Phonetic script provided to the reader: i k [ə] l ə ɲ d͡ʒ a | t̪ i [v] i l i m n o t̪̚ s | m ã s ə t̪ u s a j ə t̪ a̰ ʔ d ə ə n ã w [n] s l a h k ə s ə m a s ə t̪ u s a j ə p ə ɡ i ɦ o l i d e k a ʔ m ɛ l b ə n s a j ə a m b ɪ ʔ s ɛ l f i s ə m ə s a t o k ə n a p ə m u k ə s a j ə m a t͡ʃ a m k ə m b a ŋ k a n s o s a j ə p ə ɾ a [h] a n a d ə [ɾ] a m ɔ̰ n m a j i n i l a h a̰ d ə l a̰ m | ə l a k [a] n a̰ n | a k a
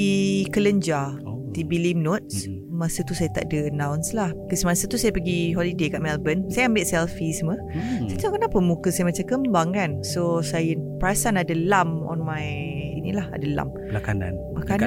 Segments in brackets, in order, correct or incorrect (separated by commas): correct, incorrect, correct, incorrect, incorrect, correct